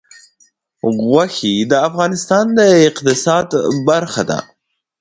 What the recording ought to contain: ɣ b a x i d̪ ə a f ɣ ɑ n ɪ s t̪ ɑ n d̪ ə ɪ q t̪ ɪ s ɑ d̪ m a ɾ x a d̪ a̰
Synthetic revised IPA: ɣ w a x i d̪ ə a f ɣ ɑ n ɪ s t̪ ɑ n d̪ ə ɪ q t̪ ɪ s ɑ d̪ b a ɾ x a d̪ a̰